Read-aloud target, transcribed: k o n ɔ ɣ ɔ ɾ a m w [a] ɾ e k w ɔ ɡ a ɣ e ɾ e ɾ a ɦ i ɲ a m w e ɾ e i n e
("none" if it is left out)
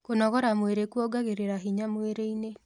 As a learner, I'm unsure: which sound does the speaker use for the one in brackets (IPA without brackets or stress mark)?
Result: e